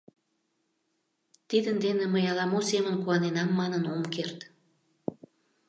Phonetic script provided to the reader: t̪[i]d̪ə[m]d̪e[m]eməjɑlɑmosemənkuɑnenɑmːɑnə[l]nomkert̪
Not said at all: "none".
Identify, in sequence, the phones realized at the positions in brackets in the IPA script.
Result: i, n, n, none

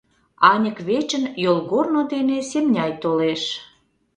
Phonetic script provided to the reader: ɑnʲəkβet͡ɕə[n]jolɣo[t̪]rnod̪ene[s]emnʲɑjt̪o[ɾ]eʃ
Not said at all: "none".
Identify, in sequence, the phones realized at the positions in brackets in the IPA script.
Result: n, none, s, l

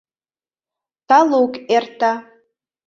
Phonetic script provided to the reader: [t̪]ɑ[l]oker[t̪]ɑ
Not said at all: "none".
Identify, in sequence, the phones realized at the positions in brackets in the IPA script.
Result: t̪, l, t̪

